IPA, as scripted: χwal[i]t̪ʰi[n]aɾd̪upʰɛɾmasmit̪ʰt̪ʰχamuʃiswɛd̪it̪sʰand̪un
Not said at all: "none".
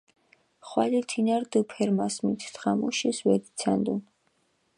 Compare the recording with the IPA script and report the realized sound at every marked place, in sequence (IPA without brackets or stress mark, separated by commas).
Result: i, n